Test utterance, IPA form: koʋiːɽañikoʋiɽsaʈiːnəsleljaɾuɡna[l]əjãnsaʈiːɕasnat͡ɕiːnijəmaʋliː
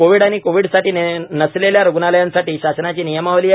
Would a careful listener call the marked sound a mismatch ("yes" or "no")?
no